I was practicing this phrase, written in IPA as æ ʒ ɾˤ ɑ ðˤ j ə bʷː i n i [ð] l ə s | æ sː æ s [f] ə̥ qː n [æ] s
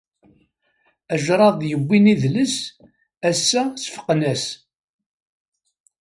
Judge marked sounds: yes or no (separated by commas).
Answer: yes, yes, yes